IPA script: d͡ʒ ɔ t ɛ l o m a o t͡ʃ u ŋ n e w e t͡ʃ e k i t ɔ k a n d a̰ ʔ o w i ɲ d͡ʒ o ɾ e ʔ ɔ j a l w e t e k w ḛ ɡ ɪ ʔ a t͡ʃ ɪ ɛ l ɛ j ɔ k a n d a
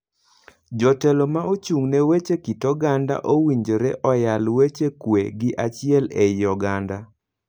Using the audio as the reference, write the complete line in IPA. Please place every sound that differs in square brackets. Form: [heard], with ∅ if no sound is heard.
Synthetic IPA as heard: d͡ʒ ɔ t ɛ l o m a o t͡ʃ u ŋ n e w e t͡ʃ e k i t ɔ [ɡ] a n d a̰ ʔ o w i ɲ d͡ʒ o ɾ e ʔ ɔ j a l w e [t͡ʃ] e k w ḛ ɡ ɪ ʔ a t͡ʃ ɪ ɛ l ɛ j ɔ [ɡ] a n d a